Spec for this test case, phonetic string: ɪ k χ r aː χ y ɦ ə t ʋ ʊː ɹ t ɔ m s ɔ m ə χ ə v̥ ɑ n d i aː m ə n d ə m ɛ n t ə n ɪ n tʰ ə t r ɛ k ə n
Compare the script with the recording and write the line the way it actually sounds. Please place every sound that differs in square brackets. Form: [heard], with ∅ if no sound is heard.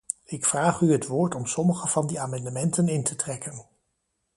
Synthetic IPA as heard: ɪ k [f] r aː χ y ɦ ə t ʋ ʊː ɹ t ɔ m s ɔ m ə χ ə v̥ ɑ n d i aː m [ɑ] n d ə m ɛ n t ə n ɪ n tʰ ə t r ɛ k ə n